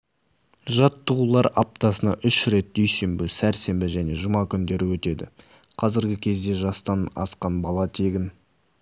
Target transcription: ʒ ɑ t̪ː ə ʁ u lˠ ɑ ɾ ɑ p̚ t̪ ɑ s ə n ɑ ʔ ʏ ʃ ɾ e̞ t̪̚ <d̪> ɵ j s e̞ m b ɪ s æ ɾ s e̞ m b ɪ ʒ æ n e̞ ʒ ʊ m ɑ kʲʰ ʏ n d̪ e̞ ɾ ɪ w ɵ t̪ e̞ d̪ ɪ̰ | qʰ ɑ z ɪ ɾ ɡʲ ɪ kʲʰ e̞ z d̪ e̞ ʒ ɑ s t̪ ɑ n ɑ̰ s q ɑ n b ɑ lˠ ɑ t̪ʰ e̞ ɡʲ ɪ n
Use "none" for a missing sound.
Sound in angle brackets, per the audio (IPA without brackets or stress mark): d̪